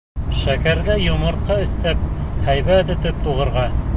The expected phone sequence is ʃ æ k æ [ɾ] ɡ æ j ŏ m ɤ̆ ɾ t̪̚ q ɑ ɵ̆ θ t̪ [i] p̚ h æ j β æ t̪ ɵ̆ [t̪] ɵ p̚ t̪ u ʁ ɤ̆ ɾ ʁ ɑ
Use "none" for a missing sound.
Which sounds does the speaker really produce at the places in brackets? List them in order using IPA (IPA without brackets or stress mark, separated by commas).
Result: ɾ, æ, t̪